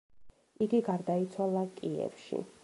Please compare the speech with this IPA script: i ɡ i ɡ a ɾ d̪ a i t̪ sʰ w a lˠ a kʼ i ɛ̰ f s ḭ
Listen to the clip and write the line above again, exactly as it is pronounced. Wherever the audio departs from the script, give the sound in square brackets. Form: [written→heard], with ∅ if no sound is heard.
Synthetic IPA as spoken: i ɡ i ɡ a ɾ d̪ a i t̪ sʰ w a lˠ a kʼ i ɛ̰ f [s→ʃ] ḭ

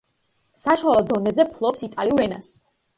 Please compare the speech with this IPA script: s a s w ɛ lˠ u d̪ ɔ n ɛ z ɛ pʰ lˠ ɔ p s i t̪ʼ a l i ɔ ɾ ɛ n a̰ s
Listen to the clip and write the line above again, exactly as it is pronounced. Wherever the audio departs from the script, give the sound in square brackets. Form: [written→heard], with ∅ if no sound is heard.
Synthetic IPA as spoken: s a [s→ʃ] w [ɛ→a] lˠ [u→ɔ] d̪ ɔ n ɛ z ɛ pʰ lˠ ɔ p s i t̪ʼ a l i [ɔ→u] ɾ ɛ n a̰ s

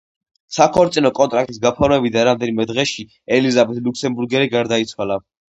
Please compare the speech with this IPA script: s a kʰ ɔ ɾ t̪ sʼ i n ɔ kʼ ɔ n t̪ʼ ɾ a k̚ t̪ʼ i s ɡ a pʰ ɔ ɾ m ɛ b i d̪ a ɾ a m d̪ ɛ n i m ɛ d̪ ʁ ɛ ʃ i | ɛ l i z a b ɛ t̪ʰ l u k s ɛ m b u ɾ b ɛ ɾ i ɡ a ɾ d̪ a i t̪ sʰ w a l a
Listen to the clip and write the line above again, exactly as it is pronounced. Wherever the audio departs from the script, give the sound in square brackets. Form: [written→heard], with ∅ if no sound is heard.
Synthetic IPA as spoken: s a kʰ ɔ ɾ t̪ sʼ i n ɔ kʼ ɔ n t̪ʼ ɾ a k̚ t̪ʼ i s ɡ a pʰ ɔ ɾ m ɛ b i d̪ a ɾ a m d̪ ɛ n i m ɛ d̪ ʁ ɛ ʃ i | ɛ l i z a b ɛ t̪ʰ l u k s ɛ m b u ɾ [b→ɡ] ɛ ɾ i ɡ a ɾ d̪ a i t̪ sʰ w a l a

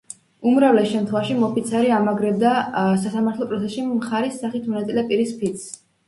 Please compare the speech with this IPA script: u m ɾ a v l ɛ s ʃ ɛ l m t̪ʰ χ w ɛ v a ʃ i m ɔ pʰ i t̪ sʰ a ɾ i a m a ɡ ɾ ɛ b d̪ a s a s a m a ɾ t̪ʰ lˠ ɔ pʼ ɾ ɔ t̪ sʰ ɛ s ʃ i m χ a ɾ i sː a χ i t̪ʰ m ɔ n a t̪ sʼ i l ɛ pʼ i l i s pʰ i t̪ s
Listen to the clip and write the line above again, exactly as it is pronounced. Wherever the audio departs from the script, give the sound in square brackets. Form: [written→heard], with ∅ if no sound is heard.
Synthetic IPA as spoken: u m ɾ a v l ɛ s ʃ ɛ [l→∅] m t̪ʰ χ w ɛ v a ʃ i m ɔ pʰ i t̪ sʰ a ɾ i a m a ɡ ɾ ɛ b d̪ a s a s a m a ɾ t̪ʰ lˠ ɔ pʼ ɾ ɔ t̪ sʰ ɛ s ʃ i m χ a ɾ i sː a χ i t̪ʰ m ɔ n a t̪ sʼ i l ɛ pʼ i [l→ɾ] i s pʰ i t̪ s

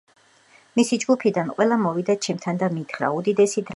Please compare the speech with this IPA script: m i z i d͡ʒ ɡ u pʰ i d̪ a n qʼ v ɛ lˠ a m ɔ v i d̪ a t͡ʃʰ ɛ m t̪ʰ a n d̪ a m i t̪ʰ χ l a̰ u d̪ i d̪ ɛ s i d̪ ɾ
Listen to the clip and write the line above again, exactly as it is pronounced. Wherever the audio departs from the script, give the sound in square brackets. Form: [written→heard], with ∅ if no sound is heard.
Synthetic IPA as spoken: m i [z→s] i d͡ʒ ɡ u pʰ i d̪ a n qʼ [v→w] ɛ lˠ a m ɔ v i d̪ a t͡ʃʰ ɛ m t̪ʰ a n d̪ a m i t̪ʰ χ [l→ɾ] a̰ u d̪ i d̪ ɛ s i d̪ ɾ

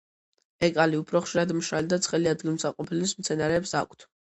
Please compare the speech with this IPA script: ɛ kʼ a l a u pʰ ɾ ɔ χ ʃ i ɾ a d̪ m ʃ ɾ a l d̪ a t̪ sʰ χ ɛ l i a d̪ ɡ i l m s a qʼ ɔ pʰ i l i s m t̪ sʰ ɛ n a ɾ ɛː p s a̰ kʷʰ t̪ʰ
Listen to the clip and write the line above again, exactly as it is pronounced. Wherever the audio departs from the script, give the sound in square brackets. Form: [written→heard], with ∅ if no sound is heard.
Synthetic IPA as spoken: ɛ kʼ a l [a→i] u pʰ ɾ ɔ χ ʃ i ɾ a d̪ m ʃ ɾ a l d̪ a t̪ sʰ χ ɛ l i a d̪ ɡ i l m s a qʼ ɔ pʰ i l i s m t̪ sʰ ɛ n a ɾ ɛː p s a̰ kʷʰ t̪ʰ

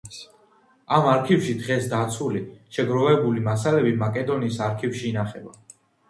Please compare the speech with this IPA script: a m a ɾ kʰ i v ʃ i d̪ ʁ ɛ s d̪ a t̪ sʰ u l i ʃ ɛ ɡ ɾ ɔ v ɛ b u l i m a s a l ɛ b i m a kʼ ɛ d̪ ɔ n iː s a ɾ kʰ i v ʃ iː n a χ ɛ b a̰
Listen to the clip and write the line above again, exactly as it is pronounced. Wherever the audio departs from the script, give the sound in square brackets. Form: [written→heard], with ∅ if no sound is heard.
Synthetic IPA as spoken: a m a ɾ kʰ i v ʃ i d̪ ʁ ɛ s d̪ a t̪ sʰ u l i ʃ ɛ ɡ ɾ ɔ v ɛ b u l i m a s a l ɛ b i m a kʼ ɛ d̪ ɔ n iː s a ɾ kʰ i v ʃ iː n a χ ɛ b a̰

